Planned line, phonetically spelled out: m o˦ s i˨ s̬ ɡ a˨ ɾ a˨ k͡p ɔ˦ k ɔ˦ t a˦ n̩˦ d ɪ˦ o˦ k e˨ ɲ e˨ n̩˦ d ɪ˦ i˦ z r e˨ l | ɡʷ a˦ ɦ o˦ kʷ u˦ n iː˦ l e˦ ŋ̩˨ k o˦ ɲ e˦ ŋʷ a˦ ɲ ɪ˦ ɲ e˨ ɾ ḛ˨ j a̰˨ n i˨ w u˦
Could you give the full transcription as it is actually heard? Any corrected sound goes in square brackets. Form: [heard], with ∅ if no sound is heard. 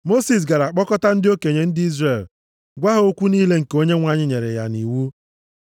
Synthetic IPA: m o˦ s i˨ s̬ ɡ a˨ ɾ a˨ k͡p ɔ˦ k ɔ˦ t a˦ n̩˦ d ɪ˦ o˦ k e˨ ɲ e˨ n̩˦ d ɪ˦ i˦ z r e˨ l | ɡʷ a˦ ɦ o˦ kʷ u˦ n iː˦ l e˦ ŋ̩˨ k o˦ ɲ e˦ ŋʷ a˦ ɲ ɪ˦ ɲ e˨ ɾ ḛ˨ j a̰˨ n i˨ w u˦

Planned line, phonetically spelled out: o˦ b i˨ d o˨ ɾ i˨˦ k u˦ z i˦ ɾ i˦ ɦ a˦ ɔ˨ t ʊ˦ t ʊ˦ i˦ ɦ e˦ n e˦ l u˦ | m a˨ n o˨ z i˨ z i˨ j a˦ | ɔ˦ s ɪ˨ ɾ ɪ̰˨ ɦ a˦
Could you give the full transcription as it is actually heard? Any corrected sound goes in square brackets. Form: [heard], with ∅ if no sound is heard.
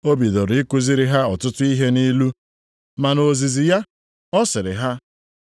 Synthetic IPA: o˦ b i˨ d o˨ ɾ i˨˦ k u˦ z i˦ ɾ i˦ ɦ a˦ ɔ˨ t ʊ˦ t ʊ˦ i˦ ɦ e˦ n [i˦] l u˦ | m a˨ n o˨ z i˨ z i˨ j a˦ | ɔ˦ s ɪ˨ ɾ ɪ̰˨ ɦ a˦

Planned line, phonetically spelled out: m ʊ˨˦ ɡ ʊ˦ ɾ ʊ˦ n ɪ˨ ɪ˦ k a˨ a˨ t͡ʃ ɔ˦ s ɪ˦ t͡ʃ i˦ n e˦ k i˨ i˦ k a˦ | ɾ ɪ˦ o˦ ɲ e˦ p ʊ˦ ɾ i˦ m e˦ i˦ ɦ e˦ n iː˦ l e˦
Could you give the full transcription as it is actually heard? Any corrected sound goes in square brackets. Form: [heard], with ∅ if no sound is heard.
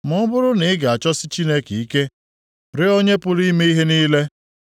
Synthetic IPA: m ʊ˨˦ [b] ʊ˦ ɾ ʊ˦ n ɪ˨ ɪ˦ [ɡ] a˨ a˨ t͡ʃ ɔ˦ s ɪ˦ t͡ʃ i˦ n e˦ k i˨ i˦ k [e˦] | ɾ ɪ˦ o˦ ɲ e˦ p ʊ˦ ɾ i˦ m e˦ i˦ ɦ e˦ n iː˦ l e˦

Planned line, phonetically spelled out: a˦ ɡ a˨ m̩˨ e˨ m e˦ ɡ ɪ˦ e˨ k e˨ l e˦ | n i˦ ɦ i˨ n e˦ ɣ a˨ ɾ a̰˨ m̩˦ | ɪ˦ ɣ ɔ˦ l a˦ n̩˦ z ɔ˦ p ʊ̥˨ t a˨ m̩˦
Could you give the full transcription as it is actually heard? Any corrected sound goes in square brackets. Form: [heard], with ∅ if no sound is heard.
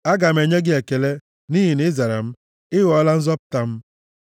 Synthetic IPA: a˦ ɡ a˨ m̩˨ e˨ [ɲ] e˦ ɡ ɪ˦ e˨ k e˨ l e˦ | n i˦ ɦ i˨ n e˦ [z] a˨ ɾ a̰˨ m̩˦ | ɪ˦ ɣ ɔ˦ l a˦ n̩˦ z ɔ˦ p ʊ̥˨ t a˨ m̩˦

